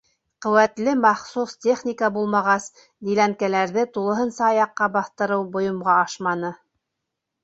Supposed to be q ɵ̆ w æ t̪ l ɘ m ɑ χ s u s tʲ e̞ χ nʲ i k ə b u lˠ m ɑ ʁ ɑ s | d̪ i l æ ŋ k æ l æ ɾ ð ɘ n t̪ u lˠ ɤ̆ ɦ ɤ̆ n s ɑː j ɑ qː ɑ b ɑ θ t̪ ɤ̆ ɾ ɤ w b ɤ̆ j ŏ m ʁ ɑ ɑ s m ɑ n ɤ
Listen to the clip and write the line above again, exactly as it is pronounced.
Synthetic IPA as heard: q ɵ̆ w æ t̪ l ɘ m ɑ χ s u s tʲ e̞ χ nʲ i k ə b u lˠ m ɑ ʁ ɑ s | d̪ i l æ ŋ k æ l æ ɾ ð ɘ t̪ u lˠ ɤ̆ ɦ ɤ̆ n s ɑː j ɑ qː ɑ b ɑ θ t̪ ɤ̆ ɾ ɤ w b ŏ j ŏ m ʁ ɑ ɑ ʃ m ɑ n ɤ